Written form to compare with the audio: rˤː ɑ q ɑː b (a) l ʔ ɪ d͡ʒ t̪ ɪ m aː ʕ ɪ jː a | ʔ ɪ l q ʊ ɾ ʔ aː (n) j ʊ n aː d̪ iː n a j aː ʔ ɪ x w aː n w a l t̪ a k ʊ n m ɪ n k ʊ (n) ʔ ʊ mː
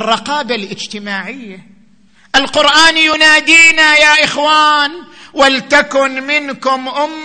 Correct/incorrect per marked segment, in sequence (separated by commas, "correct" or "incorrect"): correct, correct, incorrect